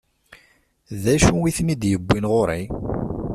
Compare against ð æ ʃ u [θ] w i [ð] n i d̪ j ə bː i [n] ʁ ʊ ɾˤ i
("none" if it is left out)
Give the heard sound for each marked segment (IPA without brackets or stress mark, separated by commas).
none, θ, n